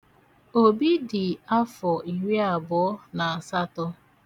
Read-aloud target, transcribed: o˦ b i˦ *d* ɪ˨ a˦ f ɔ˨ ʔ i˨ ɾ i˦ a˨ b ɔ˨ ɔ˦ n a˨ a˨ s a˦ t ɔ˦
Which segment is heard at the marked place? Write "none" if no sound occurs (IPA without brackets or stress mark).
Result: d